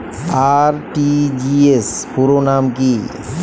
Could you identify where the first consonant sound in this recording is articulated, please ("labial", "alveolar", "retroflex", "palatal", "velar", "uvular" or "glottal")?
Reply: alveolar